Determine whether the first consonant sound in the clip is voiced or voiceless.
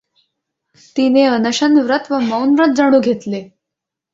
voiceless